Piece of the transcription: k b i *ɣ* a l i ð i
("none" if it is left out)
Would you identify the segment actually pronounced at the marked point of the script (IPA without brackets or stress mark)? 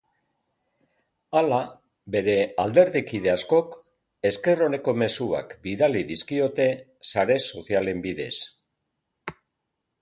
ð